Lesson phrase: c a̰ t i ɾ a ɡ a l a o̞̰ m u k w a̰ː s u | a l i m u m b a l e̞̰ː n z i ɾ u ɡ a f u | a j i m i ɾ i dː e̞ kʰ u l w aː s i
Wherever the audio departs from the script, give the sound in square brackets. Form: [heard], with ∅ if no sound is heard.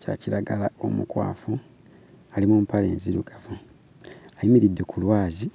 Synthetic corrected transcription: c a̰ [c] i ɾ a ɡ a l a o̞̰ m u k w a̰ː [f] u | a l i m u m [p] a l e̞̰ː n z i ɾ u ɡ a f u | a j i m i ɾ i dː e̞ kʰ u l w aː [z] i